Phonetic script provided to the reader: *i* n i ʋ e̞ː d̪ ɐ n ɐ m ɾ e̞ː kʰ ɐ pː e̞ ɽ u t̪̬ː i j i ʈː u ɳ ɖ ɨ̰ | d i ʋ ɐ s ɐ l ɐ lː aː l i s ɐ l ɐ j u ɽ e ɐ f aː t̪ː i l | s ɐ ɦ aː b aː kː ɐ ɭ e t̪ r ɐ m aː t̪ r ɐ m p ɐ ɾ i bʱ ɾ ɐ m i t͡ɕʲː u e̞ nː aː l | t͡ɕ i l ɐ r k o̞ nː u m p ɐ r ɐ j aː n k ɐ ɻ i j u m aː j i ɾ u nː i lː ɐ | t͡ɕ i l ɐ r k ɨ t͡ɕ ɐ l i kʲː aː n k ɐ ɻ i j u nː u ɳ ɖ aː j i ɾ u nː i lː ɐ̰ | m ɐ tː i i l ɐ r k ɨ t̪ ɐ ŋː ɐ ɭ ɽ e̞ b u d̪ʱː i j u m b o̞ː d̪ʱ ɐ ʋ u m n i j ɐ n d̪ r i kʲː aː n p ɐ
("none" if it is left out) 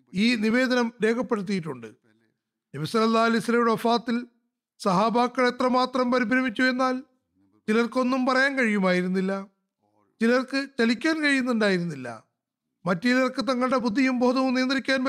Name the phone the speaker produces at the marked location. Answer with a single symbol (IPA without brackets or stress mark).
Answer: iː